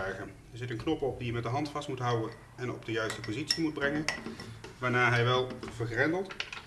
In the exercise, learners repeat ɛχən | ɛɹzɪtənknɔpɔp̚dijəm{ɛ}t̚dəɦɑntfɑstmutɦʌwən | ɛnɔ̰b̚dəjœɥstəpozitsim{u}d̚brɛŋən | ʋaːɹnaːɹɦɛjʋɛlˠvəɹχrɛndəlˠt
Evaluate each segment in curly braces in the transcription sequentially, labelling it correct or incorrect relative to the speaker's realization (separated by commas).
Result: correct, correct